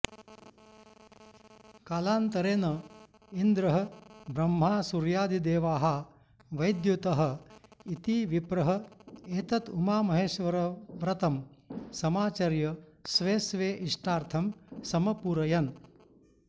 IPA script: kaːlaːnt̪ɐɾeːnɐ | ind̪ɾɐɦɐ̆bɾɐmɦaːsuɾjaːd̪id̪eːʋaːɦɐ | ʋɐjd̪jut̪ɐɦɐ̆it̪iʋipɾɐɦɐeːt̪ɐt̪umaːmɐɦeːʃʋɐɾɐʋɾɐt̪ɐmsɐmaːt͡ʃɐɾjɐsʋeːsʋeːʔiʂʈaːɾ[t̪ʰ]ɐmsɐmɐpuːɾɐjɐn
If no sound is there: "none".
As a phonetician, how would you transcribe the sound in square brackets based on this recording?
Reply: t̪ʰ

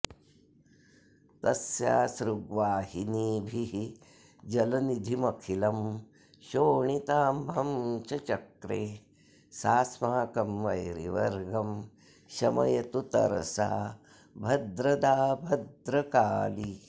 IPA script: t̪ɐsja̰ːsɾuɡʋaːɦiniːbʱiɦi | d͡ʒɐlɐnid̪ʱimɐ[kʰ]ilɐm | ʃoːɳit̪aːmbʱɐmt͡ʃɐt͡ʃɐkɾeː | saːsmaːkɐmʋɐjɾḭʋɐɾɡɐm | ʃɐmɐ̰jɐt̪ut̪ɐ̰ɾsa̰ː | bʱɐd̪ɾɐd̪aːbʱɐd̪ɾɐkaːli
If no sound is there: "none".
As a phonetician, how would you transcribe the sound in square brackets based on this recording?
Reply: kʰ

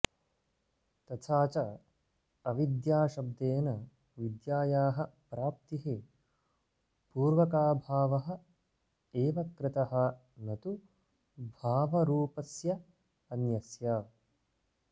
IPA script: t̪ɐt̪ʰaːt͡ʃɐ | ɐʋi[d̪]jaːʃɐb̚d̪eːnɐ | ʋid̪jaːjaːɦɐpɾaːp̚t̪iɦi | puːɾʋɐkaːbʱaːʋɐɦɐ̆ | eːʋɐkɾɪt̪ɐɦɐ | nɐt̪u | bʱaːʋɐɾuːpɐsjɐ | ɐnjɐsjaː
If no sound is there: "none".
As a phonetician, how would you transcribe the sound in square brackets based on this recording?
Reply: d̪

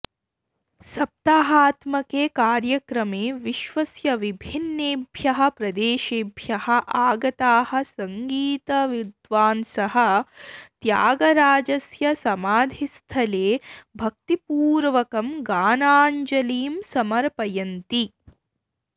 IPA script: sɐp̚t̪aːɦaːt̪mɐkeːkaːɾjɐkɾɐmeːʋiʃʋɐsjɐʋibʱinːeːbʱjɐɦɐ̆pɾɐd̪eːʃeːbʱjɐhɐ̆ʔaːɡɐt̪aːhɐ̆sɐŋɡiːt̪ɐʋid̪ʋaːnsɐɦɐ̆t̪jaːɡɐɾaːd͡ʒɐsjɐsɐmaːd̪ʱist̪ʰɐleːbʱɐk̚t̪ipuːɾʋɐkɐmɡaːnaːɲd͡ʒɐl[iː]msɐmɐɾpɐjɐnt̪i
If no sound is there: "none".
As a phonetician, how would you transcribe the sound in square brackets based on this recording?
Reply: iː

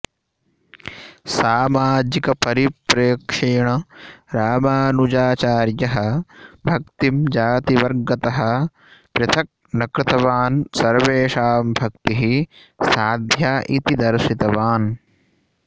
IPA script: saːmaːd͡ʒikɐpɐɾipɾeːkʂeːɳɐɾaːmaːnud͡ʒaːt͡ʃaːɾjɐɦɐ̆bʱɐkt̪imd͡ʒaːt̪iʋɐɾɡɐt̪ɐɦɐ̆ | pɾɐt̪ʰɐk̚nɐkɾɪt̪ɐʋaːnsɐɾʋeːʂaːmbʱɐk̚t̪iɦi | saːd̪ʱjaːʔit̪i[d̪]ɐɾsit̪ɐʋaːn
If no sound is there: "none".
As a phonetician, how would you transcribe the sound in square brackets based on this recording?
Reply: d̪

